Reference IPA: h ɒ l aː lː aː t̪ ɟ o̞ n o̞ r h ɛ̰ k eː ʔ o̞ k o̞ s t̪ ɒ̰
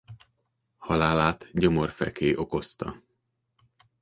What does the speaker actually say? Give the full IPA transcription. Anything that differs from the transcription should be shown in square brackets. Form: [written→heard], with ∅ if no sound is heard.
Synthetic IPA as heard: h ɒ l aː [lː→l] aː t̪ ɟ o̞ [n→m] o̞ r [h→f] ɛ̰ k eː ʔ o̞ k o̞ s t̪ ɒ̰